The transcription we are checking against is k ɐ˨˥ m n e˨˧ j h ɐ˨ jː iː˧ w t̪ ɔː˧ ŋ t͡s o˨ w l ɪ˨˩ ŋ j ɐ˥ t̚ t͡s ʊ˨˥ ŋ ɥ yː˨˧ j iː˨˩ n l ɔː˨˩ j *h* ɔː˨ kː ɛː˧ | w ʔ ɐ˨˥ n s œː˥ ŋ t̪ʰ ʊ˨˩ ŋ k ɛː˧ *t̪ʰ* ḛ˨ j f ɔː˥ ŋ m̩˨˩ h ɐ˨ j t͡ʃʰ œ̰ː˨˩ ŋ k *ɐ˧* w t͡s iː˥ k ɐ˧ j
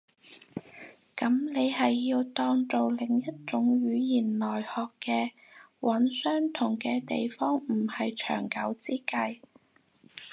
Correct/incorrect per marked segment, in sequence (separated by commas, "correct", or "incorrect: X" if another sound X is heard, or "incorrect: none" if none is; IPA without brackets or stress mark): correct, incorrect: t̪, incorrect: ɐ˨˥